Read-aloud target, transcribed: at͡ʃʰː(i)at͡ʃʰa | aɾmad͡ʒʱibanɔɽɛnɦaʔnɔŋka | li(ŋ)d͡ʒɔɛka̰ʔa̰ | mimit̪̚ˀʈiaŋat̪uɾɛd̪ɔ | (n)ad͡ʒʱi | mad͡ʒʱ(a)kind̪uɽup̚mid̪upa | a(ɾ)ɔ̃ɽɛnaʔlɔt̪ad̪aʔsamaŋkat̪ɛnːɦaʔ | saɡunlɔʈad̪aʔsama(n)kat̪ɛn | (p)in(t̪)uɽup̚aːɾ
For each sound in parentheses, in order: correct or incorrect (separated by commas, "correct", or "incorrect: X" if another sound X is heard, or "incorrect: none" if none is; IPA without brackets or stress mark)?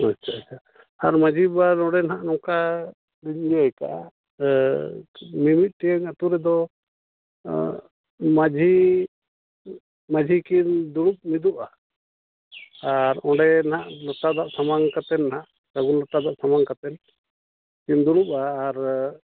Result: incorrect: a, incorrect: ɲ, incorrect: m, incorrect: i, correct, incorrect: ŋ, incorrect: k, incorrect: d̪